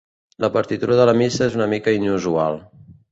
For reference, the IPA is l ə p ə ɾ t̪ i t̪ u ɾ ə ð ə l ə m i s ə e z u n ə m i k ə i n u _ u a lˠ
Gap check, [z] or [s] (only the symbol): z